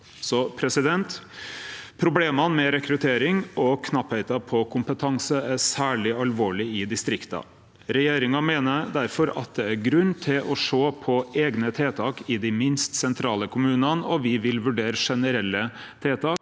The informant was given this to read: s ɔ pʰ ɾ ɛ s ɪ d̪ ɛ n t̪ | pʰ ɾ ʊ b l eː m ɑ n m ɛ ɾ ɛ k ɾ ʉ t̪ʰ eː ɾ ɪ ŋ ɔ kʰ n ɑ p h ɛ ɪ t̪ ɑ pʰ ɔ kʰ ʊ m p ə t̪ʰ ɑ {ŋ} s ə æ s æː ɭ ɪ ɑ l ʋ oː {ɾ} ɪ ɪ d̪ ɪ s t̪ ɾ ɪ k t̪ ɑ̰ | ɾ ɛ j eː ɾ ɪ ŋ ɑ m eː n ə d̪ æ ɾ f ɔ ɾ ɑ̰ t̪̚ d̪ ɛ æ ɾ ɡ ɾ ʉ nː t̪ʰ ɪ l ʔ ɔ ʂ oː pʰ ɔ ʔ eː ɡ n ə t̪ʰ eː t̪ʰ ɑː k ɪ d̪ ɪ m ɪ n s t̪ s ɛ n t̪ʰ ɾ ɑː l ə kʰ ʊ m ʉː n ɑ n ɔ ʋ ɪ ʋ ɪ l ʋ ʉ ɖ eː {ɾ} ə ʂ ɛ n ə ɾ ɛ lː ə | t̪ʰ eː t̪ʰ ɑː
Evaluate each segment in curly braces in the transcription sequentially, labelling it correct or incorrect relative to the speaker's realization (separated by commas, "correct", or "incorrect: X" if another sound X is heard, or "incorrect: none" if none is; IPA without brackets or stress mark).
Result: correct, incorrect: ɭ, correct